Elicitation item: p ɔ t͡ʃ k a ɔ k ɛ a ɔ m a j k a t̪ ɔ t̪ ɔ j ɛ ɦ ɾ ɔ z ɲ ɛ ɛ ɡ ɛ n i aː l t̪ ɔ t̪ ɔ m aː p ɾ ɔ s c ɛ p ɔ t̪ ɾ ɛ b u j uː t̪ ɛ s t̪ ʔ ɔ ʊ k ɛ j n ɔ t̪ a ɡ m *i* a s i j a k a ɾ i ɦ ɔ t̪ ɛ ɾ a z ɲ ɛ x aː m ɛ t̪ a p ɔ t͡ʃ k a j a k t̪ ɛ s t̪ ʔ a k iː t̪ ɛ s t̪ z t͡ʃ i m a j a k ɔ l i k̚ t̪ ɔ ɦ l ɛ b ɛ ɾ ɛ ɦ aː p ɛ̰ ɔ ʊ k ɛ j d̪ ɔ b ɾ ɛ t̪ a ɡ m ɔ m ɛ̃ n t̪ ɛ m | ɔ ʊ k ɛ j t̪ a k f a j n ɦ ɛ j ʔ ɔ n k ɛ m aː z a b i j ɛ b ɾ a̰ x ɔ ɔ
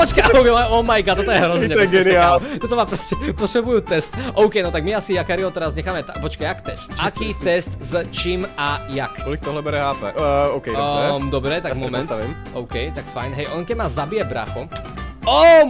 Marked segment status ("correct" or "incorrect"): correct